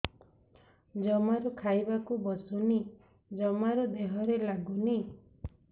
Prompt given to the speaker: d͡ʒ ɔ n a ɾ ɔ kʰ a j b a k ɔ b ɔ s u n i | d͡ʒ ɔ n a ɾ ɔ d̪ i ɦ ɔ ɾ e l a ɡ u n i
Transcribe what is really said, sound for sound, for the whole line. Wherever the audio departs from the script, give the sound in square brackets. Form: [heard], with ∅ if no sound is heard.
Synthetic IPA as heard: d͡ʒ ɔ [m] a ɾ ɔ kʰ a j b a k [u] b ɔ s u n i | d͡ʒ ɔ [m] a ɾ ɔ d̪ [e] ɦ ɔ ɾ e l a ɡ u n i